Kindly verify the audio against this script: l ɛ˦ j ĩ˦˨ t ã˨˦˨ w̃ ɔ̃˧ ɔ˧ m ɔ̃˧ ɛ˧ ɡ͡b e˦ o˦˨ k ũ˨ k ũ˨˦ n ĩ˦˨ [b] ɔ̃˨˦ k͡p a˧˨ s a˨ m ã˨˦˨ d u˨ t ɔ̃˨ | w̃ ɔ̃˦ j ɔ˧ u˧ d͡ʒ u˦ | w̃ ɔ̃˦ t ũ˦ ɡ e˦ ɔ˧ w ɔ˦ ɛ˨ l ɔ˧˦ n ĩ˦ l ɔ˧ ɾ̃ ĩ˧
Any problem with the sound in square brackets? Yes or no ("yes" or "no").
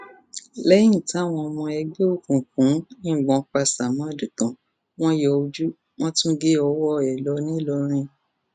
yes